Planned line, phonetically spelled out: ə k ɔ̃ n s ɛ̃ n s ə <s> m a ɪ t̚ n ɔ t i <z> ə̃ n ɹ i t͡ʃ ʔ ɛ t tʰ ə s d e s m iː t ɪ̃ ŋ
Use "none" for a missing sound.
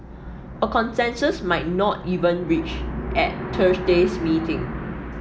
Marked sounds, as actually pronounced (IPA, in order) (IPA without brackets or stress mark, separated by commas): s, v